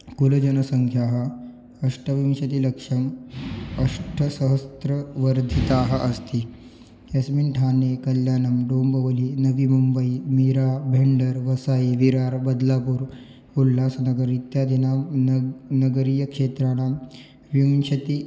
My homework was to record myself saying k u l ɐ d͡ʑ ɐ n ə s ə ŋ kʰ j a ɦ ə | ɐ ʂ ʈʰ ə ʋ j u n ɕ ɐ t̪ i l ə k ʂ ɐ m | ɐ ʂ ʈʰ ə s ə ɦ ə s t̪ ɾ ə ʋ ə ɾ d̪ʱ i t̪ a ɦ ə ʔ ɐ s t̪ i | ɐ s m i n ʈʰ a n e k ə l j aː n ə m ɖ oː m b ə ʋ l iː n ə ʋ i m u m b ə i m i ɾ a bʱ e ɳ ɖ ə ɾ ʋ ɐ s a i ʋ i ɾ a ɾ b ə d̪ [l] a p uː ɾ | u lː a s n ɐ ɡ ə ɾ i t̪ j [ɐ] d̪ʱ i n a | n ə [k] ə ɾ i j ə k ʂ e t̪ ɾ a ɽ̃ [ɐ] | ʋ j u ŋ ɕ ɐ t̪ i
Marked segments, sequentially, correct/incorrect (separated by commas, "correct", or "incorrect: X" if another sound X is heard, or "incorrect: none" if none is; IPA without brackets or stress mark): correct, incorrect: a, incorrect: ɡ, incorrect: a